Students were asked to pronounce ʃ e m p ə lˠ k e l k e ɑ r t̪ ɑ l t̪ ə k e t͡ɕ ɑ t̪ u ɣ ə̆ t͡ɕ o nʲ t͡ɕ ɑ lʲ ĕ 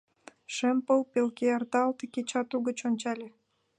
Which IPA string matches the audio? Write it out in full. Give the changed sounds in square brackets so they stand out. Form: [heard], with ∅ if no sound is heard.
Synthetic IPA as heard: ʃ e m p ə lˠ [p] e l k e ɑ r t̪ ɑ l t̪ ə k e t͡ɕ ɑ t̪ u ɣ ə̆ t͡ɕ o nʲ t͡ɕ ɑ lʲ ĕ